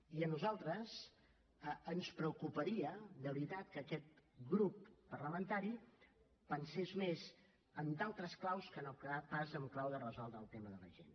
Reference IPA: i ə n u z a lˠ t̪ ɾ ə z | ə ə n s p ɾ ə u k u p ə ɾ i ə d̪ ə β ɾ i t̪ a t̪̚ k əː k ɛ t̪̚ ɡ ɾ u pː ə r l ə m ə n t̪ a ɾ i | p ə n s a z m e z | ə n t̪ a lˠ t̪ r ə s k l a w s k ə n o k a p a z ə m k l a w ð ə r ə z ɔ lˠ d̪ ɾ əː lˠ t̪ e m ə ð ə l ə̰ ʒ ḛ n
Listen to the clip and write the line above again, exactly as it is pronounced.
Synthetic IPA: i ə n u z a lˠ t̪ ɾ ə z | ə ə n s p ɾ ə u k u p ə ɾ i ə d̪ ə β ɾ i t̪ a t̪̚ k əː k ɛ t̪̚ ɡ ɾ u pː ə r l ə m ə n t̪ a ɾ i | p ə n s e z m e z | ə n d̪ a lˠ t̪ ɾ ə s k l a w s k ə n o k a p a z ə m k l a w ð ə r ə z ɔ lˠ d̪ ɾ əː lˠ t̪ e m ə ð ə l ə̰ ʒ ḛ n